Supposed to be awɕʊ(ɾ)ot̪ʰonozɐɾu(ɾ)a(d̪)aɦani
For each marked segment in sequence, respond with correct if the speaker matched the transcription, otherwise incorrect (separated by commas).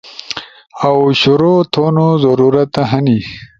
correct, correct, incorrect